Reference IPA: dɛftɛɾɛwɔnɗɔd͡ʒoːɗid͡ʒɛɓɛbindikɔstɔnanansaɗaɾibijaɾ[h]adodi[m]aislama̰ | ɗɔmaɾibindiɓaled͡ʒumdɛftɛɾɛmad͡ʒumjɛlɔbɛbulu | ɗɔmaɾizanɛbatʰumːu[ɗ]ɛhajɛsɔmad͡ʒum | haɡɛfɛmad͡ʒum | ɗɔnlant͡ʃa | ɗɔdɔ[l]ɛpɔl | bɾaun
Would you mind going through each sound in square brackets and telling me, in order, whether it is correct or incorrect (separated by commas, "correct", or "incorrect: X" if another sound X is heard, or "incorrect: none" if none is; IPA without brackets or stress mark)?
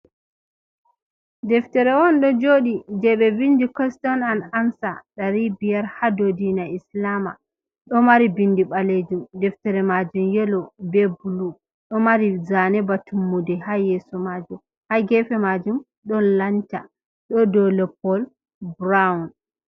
correct, incorrect: n, incorrect: d, correct